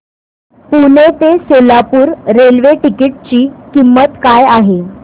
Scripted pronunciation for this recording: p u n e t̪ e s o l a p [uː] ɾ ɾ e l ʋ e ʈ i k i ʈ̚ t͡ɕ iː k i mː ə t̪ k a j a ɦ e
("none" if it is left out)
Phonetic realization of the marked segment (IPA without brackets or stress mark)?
uː